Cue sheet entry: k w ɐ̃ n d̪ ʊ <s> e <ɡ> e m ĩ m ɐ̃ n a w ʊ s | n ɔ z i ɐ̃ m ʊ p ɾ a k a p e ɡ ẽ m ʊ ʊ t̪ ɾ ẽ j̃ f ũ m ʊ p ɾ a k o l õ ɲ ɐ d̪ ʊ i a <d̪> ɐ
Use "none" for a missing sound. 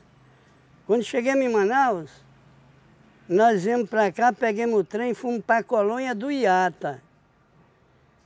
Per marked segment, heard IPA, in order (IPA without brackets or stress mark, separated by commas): ʃ, ɡ, t̪